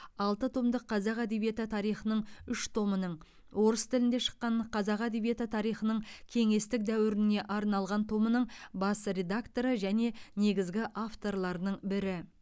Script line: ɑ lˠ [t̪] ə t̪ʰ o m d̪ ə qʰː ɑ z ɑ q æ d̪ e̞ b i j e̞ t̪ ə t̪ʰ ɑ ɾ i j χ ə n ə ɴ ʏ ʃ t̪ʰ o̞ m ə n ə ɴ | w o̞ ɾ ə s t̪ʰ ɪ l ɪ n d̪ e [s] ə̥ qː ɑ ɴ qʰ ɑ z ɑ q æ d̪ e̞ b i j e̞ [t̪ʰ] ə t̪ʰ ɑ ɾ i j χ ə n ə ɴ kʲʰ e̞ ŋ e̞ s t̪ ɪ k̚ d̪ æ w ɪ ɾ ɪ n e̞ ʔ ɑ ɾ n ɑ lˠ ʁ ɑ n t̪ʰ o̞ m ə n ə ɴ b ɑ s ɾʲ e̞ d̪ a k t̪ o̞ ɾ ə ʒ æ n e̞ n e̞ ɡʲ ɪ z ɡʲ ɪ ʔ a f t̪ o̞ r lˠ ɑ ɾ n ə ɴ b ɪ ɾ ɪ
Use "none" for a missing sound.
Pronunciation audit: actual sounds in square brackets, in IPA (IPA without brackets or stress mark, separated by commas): t̪, ʃ, t̪